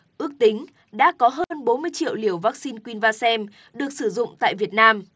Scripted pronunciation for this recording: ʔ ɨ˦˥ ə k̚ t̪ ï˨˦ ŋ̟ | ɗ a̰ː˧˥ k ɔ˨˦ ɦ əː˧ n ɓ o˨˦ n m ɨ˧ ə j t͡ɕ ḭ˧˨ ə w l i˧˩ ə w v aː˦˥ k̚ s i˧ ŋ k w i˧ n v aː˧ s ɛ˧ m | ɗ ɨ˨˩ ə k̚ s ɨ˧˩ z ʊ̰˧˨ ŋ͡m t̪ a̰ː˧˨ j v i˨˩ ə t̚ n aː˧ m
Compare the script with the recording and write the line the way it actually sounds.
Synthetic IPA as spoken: ʔ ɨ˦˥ ə k̚ t̪ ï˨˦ ŋ̟ | ɗ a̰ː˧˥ k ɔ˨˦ ɦ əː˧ n ɓ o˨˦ n m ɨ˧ ə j t͡ɕ ḭ˧˨ ə w l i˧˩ ə w v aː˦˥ k̚ s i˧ n k w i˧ n v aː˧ s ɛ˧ m | ɗ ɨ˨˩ ə k̚ s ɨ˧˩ z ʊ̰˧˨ ŋ͡m t̪ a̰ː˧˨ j v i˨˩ ə t̚ n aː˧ m